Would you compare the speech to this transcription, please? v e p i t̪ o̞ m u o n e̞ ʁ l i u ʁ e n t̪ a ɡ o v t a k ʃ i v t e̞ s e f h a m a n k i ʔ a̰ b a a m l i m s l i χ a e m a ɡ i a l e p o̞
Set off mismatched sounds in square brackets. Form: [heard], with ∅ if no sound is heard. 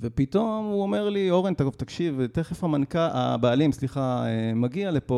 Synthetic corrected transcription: v e p i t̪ o̞ m u o [m] e̞ ʁ l i [o] ʁ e n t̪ a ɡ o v t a k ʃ i v t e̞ [χ] e f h a m a n k [a] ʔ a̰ b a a [∅] l i m s l i χ a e m a ɡ i a l e p o̞